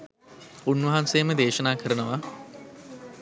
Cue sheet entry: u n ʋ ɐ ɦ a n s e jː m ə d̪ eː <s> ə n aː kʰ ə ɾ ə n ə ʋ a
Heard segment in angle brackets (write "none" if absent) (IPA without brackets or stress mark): ʃ